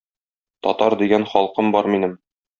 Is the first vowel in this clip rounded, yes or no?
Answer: yes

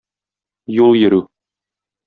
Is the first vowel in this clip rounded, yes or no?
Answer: yes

